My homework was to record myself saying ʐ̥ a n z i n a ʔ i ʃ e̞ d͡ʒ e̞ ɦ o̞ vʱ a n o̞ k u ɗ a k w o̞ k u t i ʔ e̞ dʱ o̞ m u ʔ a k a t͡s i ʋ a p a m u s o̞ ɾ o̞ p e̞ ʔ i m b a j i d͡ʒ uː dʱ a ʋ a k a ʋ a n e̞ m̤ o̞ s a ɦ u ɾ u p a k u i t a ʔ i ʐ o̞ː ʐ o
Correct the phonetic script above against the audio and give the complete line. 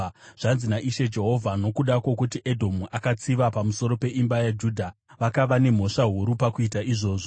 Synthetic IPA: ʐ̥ a n z i n a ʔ i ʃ e̞ d͡ʒ e̞ ɦ o̞ vʱ a n o̞ k u ɗ a k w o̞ k u t i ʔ e̞ dʱ o̞ m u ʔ a k a t͡s i ʋ a p a m u s o̞ ɾ o̞ p e̞ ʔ i m b a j a d͡ʒ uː dʱ a ʋ a k a ʋ a n e̞ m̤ o̞ ʂ a ɦ u ɾ u p a k u i t a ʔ i ʐ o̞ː ʐ o